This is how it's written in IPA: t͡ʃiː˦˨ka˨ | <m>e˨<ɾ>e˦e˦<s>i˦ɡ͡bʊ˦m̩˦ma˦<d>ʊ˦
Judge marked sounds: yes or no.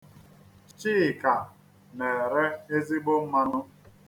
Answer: no, yes, no, no

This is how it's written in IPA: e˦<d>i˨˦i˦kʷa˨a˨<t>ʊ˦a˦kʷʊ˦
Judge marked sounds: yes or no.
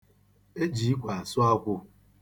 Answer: no, no

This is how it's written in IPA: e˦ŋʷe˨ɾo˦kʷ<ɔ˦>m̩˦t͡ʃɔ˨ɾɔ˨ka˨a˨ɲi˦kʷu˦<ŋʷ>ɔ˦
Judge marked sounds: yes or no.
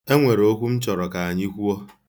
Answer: no, no

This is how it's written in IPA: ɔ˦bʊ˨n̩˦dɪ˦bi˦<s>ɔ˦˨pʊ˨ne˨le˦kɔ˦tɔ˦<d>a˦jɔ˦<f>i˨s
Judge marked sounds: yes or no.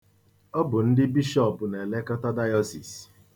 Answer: no, yes, no

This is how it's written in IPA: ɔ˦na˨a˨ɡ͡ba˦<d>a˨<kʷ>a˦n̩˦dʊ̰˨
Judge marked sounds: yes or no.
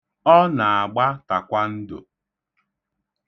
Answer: no, yes

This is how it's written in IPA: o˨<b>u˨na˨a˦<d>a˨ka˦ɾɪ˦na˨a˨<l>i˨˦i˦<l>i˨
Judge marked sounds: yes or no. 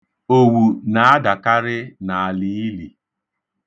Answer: no, yes, yes, yes

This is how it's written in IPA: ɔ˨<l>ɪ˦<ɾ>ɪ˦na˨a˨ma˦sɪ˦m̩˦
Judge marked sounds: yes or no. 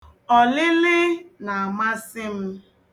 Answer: yes, no

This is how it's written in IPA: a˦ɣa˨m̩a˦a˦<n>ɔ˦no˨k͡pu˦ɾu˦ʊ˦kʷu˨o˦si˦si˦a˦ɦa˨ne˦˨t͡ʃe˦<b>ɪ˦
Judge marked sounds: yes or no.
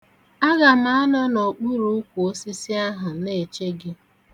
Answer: yes, no

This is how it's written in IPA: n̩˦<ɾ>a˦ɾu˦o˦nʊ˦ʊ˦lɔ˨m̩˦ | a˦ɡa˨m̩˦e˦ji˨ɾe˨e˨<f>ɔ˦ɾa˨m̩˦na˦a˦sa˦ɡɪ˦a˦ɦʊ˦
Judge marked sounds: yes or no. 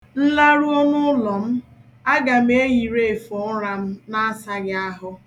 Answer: no, yes

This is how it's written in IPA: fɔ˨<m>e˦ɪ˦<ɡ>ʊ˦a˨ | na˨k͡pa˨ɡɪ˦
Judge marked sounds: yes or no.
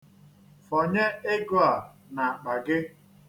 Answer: no, yes

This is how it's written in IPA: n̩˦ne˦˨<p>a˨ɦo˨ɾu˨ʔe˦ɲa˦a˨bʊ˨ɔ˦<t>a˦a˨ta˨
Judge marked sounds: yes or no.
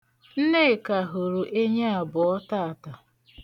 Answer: no, yes

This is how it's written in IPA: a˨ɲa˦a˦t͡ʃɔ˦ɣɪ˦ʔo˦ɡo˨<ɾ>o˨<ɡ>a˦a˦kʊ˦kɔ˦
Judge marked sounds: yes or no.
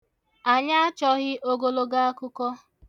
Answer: no, yes

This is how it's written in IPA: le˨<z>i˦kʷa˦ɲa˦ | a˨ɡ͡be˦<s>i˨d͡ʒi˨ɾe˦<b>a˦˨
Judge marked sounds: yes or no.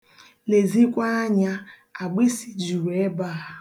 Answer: yes, yes, yes

